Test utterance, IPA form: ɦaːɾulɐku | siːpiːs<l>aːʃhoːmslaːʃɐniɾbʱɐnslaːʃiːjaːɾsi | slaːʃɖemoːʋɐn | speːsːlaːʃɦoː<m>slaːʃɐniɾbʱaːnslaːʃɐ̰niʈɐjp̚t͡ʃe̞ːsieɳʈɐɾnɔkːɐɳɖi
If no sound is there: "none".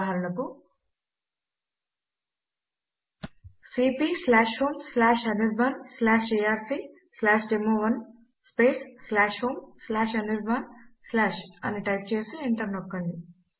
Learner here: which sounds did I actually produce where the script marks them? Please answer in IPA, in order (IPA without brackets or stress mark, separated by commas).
l, m